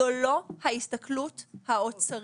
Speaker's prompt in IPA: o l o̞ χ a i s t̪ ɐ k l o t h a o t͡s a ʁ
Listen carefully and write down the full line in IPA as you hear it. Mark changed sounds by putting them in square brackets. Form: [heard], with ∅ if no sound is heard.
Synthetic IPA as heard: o l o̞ [h] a i s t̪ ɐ k l [u] t h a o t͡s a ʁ